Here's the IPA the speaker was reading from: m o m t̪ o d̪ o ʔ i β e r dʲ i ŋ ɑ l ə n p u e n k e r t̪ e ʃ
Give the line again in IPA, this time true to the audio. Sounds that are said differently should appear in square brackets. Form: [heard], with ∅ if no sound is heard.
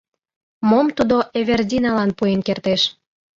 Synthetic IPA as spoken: m o m t̪ [u] d̪ o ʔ [e] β e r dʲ i [n] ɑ l [ɑ] n p u e n k e r t̪ e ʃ